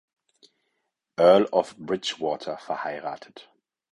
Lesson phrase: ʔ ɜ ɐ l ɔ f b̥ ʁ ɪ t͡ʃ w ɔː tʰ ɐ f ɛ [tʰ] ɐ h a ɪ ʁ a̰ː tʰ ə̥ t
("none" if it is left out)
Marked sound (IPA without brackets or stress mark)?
none